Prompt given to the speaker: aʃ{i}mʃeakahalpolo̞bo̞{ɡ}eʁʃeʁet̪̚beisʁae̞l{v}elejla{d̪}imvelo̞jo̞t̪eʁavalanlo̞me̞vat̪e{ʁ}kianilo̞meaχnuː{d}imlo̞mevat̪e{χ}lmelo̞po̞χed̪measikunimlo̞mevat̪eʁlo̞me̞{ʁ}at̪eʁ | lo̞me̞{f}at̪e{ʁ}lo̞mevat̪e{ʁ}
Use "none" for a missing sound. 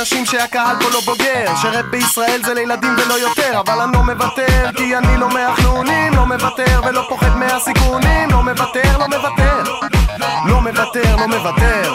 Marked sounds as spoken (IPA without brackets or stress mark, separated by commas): i, ɡ, z, d̪, ʁ, n, ʁ, v, v, ʁ, ʁ